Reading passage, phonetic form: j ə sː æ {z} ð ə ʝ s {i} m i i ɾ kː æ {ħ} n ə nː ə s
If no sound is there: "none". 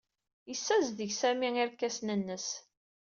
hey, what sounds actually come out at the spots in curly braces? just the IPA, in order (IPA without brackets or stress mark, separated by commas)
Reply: z, æ, s